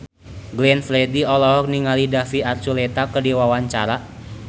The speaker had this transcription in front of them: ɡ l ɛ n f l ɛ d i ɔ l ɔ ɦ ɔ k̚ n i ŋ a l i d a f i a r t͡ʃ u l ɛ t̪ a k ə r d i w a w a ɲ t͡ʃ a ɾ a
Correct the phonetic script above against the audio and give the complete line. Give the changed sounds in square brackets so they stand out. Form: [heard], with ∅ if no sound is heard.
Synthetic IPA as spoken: ɡ l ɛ n f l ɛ d i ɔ l ɔ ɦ ɔ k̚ n i ŋ a l i d a f i a r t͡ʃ u l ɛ t̪ a k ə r d i w a w a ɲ t͡ʃ a ɾ a